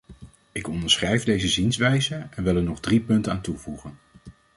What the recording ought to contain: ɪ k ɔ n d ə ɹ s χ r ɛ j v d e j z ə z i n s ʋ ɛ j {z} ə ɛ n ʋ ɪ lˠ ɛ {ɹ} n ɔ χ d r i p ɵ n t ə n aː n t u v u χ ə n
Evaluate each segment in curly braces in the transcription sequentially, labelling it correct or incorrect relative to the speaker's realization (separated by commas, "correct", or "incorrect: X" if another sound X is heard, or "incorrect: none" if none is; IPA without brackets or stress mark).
correct, correct